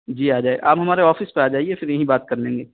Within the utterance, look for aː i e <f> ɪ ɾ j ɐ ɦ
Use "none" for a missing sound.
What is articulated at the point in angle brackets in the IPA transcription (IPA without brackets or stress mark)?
f